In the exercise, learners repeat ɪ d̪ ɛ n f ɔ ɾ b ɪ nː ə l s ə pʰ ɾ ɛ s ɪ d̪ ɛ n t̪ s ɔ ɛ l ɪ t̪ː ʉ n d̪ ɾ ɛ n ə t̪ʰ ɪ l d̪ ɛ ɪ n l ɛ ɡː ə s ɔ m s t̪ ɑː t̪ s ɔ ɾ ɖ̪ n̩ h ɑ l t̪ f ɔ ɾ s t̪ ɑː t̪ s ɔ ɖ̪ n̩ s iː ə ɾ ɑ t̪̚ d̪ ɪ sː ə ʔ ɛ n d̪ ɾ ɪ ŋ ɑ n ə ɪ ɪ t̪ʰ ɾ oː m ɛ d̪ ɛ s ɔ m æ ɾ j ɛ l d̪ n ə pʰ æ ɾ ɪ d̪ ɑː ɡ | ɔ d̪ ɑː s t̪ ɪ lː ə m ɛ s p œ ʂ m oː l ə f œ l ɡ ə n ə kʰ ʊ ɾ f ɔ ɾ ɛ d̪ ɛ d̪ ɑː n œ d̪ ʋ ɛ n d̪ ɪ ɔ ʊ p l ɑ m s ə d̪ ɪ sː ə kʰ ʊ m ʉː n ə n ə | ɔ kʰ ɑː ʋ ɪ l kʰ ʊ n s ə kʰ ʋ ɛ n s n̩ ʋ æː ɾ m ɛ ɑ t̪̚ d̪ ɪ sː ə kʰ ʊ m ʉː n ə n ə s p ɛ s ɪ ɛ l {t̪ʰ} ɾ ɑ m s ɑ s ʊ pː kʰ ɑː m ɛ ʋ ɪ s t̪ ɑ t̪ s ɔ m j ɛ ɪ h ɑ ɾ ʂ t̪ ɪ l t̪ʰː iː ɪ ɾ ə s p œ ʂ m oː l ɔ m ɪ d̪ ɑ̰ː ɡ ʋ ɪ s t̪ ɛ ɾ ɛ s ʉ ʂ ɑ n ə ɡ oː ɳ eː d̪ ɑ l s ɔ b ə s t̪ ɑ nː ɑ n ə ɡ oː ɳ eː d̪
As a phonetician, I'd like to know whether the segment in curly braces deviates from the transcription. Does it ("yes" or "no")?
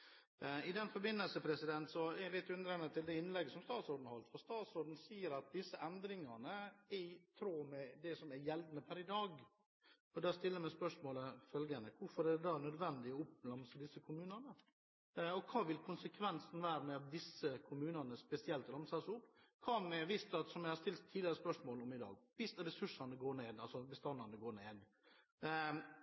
yes